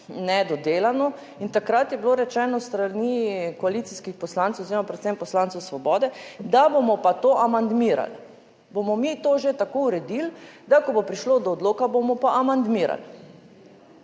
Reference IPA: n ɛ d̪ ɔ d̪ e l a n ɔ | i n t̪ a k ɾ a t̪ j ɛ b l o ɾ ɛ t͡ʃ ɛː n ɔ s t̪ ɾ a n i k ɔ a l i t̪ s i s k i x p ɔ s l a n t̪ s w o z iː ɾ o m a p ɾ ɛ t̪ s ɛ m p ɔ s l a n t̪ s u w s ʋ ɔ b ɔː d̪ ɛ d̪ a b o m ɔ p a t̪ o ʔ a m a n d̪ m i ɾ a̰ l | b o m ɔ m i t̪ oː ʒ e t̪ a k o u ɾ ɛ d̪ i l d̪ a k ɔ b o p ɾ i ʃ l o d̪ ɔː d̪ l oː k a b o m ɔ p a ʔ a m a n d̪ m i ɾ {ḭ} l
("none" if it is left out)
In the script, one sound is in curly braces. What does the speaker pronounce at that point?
a̰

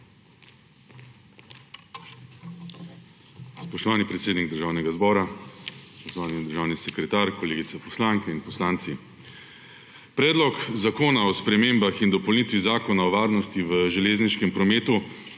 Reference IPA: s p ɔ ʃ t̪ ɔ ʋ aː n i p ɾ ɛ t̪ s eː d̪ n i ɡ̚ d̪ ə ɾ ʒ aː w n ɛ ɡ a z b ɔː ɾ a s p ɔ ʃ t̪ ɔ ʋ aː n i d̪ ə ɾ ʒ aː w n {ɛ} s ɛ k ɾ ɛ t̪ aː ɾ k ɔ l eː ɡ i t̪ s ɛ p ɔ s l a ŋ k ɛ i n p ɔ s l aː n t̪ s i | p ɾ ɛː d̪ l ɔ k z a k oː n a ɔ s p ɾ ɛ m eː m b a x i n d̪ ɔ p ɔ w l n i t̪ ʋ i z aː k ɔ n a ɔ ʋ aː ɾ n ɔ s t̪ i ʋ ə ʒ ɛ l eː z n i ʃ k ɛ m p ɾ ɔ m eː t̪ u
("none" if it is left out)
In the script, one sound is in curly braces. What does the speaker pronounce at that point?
i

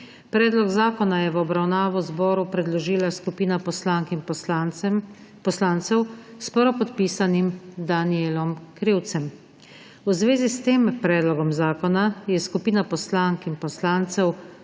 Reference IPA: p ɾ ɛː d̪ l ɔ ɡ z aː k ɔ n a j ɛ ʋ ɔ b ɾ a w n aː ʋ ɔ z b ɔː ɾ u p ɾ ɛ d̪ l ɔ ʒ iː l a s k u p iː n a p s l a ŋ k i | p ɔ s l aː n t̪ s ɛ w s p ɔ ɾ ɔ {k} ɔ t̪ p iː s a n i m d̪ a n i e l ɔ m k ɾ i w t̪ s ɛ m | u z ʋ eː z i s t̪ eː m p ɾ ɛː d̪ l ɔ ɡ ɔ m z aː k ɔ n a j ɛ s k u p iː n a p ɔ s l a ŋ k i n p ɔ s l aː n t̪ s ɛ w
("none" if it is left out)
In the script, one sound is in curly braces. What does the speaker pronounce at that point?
p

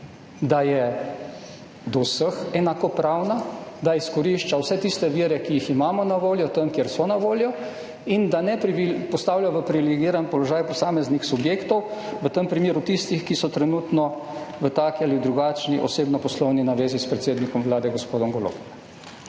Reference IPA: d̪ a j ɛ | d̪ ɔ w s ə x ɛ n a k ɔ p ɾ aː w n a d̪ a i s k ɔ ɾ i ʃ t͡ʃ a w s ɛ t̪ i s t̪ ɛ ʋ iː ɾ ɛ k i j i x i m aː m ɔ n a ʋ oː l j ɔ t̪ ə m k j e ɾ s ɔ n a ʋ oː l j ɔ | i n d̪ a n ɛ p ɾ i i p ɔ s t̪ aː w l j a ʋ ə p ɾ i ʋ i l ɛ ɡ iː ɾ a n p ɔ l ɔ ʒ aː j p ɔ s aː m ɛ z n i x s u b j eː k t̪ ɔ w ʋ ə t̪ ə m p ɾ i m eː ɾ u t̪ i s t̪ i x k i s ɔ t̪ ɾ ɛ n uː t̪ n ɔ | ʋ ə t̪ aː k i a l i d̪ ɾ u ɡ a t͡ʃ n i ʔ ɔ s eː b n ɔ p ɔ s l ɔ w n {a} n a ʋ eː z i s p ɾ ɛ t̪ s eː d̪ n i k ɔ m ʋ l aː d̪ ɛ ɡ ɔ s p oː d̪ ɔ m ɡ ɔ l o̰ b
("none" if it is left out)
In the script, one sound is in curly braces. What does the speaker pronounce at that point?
i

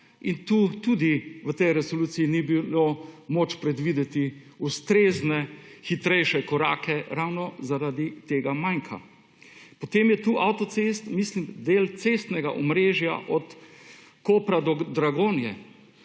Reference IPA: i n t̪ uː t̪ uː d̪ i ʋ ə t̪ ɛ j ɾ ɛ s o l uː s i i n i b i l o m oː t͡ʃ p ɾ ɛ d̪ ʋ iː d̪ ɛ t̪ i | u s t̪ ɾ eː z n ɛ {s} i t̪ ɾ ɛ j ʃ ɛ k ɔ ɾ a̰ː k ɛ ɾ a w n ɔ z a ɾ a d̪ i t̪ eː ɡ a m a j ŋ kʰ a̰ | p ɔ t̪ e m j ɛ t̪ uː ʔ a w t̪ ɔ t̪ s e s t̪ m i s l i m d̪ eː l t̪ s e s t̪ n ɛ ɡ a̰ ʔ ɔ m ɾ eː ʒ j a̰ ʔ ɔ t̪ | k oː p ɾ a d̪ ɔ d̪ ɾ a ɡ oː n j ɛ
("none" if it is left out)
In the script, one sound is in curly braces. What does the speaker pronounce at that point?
x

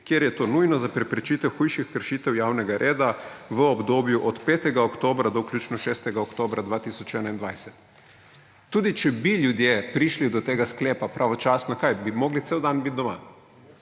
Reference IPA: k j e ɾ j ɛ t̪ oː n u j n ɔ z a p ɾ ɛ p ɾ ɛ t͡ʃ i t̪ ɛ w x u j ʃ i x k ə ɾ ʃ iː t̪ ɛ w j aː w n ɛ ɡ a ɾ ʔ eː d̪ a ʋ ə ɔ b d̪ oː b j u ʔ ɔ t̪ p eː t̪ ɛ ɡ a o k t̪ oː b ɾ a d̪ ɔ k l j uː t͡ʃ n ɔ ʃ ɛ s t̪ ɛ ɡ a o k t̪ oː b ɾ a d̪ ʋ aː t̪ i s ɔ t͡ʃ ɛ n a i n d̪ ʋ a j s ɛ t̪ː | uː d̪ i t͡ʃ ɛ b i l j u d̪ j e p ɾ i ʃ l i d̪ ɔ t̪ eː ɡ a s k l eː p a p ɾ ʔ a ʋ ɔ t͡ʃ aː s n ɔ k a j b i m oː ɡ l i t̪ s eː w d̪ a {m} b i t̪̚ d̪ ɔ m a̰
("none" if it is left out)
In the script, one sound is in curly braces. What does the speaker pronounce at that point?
n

